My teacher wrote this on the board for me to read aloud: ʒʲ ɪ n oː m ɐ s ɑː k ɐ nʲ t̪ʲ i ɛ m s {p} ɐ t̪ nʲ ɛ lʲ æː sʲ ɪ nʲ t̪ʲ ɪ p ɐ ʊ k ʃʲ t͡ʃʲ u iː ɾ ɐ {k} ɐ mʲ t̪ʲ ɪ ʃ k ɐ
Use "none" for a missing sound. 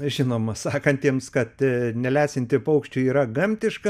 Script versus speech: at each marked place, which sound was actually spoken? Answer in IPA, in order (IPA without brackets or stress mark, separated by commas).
k, ɡ